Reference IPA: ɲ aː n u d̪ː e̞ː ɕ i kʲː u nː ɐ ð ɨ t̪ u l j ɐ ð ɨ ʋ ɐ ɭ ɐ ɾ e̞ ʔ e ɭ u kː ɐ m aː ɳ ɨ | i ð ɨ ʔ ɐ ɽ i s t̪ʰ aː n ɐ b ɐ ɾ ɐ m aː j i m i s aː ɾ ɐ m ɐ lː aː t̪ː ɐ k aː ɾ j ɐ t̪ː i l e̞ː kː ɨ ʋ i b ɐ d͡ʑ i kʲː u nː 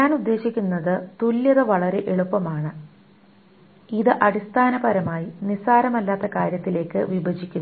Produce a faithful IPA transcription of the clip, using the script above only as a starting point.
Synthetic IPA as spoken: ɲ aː n u d̪ː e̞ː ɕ i kʲː u nː ɐ ð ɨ t̪ u l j ɐ ð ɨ ʋ ɐ ɭ ɐ ɾ e̞ ʔ e ɭ u pː ɐ m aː ɳ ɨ | i ð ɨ ʔ ɐ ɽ i s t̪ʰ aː n ɐ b ɐ ɾ ɐ m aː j i n i s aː ɾ ɐ m ɐ lː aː t̪ː ɐ k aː ɾ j ɐ t̪ː i l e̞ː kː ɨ ʋ i b ɐ d͡ʑ i kʲː u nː